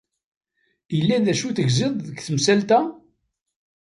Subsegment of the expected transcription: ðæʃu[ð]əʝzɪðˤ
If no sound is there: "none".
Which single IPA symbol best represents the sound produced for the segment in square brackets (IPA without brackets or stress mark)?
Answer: θ